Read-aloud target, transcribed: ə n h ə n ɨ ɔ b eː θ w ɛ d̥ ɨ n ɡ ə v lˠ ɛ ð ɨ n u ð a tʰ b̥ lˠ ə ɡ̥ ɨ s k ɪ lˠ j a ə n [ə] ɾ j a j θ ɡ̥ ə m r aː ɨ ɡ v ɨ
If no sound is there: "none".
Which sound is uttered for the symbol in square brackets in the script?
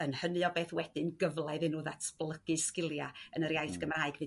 ə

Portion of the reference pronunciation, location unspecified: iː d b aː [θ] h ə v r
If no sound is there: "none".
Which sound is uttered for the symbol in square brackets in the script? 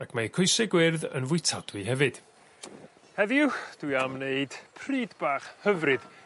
χ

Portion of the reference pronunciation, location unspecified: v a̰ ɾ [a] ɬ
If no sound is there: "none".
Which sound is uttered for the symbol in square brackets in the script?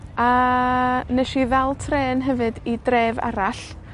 a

